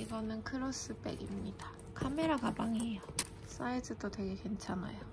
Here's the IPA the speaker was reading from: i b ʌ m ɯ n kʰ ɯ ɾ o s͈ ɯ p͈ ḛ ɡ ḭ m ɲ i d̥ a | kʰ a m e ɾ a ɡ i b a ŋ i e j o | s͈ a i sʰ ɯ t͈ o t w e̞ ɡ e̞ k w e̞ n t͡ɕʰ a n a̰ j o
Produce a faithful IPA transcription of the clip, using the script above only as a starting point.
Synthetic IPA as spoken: i ɡ ʌ n ɯ n kʰ ɯ ɾ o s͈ ɯ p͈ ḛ ɡ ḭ m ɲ i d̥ a | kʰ a m e ɾ a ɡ a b a ŋ i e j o | s͈ a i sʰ ɯ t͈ o t w e̞ ɡ e̞ k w e̞ n t͡ɕʰ a n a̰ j o